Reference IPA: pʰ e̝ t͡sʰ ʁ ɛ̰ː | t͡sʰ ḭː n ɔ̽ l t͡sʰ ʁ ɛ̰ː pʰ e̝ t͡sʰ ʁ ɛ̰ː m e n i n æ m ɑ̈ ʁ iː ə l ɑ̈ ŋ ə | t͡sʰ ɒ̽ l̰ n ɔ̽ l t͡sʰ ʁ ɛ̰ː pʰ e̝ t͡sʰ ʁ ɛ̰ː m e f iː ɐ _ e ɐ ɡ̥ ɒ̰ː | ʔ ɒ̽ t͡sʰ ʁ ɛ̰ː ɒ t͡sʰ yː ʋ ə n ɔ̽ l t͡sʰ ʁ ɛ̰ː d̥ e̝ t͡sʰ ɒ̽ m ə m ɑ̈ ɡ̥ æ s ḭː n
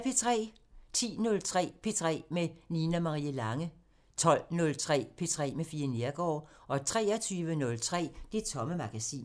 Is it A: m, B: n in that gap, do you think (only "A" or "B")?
B